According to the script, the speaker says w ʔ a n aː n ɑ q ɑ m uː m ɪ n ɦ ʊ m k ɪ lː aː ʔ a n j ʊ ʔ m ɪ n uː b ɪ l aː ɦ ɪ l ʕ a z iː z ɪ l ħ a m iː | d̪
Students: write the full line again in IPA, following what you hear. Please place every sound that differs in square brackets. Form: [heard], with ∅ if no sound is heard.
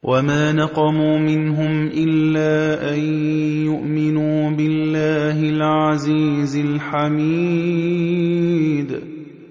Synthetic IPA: w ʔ a [m] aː n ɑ q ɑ m uː m ɪ n ɦ ʊ m [ʔ] ɪ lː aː ʔ a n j ʊ ʔ m ɪ n uː b ɪ [lː] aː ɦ ɪ l ʕ a z iː z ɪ l ħ a m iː | d̪